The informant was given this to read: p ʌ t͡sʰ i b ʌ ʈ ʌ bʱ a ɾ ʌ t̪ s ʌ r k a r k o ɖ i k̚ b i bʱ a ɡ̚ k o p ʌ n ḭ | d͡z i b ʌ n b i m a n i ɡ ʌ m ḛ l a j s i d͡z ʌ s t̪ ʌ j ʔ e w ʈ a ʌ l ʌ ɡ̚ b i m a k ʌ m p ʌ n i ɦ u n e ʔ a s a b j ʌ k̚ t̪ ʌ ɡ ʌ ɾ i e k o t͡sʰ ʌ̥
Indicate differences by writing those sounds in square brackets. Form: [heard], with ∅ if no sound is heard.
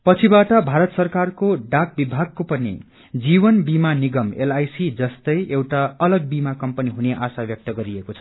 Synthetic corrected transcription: p ʌ t͡sʰ i b [a] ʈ ʌ bʱ a ɾ ʌ t̪ s ʌ r k a r k o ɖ [a] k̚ b i bʱ a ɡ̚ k o p ʌ n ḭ | d͡z i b ʌ n b i m a n i ɡ ʌ m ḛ l a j s i d͡z ʌ s t̪ ʌ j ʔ e w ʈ a ʌ l ʌ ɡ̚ b i m a k ʌ m p ʌ n i ɦ u n e ʔ a s a b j ʌ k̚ t̪ ʌ ɡ ʌ ɾ i e k o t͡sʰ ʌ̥